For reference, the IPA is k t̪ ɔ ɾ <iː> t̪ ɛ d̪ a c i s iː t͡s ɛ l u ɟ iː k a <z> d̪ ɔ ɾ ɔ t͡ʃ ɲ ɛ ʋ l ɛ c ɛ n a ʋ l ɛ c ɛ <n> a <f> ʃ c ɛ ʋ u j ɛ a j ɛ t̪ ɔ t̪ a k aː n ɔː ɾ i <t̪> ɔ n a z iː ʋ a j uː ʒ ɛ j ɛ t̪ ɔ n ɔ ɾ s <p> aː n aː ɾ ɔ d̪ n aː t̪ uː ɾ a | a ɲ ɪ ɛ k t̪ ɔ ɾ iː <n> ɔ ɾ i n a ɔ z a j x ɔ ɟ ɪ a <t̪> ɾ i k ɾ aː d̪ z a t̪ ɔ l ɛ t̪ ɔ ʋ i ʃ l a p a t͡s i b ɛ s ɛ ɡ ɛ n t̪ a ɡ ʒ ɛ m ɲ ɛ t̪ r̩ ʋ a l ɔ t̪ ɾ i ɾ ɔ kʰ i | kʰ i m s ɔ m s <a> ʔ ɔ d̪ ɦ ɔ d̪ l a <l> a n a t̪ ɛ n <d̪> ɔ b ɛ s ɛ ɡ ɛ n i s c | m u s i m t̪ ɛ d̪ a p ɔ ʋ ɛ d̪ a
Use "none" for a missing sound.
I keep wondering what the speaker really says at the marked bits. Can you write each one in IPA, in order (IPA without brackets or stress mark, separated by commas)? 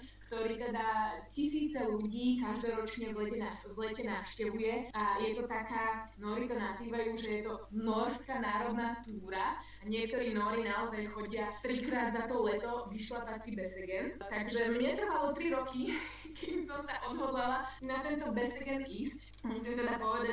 iː, ʒ, n, f, t̪, k, n, t̪, a, l, t̪